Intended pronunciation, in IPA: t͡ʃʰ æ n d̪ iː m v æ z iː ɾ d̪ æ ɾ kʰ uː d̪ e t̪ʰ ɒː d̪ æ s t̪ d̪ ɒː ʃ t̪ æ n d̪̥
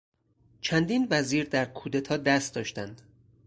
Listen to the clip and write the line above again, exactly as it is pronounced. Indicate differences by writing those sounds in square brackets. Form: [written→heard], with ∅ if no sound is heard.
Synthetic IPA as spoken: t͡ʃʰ æ n d̪ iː [m→n] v æ z iː ɾ d̪ æ ɾ kʰ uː d̪ e t̪ʰ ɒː d̪ æ s t̪ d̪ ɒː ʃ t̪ æ n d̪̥